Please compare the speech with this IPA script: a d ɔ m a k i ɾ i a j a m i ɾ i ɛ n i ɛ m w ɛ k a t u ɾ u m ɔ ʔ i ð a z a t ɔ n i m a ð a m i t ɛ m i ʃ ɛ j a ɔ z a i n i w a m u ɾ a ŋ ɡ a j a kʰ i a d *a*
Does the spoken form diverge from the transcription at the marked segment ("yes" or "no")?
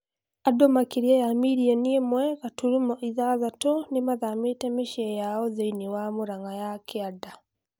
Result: no